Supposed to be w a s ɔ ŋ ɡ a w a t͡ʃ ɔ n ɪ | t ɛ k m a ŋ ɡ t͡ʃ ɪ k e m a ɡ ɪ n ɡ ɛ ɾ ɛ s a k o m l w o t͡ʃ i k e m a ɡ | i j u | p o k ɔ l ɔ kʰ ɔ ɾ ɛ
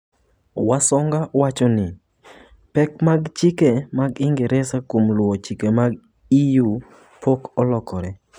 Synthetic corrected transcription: w a s ɔ ŋ ɡ a w a t͡ʃ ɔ n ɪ | p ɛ k m a ɡ t͡ʃ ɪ k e m a ɡ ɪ ŋ ɡ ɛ ɾ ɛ s a k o m l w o t͡ʃ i k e m a ɡ | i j u | p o k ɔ l ɔ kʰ ɔ ɾ ɛ

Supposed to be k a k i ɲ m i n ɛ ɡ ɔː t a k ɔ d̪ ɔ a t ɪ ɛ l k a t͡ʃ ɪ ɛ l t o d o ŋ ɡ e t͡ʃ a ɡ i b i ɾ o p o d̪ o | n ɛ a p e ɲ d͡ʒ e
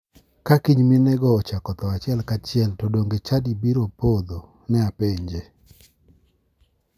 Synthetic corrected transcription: k a k i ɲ m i n ɛ ɡ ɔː t͡ʃ a k ɔ t̪ ɔ a t͡ʃ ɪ ɛ l k a t͡ʃ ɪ ɛ l t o d o ŋ ɡ e t͡ʃ a d i b i ɾ o p o d̪ o | n ɛ a p e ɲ d͡ʒ e

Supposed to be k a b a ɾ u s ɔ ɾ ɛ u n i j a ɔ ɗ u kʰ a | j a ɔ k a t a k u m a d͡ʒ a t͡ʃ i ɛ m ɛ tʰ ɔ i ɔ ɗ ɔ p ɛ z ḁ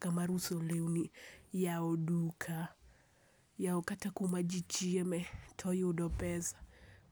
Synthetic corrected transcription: k a m a ɾ u s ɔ l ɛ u n i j a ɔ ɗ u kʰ a | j a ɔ k a t a k u m a d͡ʒ i t͡ʃ i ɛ m ɛ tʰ ɔ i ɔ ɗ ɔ p ɛ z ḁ

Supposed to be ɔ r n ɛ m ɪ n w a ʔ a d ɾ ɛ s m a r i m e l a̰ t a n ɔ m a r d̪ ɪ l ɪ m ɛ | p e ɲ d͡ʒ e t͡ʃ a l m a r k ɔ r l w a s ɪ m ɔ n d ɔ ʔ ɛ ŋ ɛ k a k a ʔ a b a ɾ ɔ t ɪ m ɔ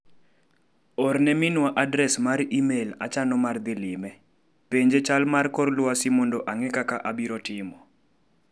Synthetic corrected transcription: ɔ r n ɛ m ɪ n w a ʔ a d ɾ ɛ s m a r i m e l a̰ t͡ʃ a n ɔ m a r d̪ ɪ l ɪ m ɛ | p e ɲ d͡ʒ e t͡ʃ a l m a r k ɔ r l w a s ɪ m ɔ n d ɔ ʔ a ŋ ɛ k a k a ʔ a b i ɾ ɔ t ɪ m ɔ

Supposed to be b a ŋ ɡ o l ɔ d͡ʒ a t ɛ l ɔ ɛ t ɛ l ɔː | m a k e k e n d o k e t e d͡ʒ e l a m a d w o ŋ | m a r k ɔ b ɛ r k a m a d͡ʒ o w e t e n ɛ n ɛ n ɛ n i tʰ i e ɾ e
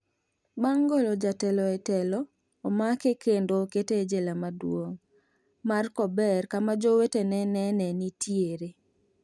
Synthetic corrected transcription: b a ŋ ɡ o l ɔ d͡ʒ a t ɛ l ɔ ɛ t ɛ l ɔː | m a k e k e n d o k e t e d͡ʒ e l a m a d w o ŋ | m a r k ɔ b ɛ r k a m a d͡ʒ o w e t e n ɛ n ɛ n ɛ n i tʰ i e ɾ e

